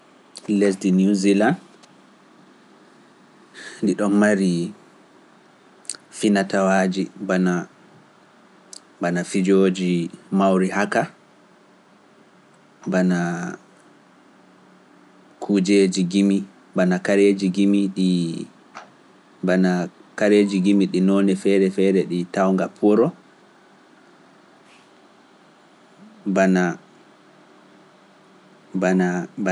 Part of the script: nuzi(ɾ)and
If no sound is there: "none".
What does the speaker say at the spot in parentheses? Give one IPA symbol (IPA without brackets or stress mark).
l